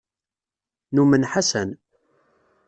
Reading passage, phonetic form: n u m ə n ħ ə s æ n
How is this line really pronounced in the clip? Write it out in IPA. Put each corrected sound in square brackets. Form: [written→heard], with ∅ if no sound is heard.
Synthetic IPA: n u m ə n ħ [ə→a] s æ n